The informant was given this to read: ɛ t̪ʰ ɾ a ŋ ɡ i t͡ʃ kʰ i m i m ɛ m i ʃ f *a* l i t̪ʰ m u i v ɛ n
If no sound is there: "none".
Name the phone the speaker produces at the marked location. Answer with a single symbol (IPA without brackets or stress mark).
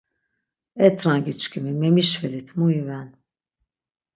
ɛ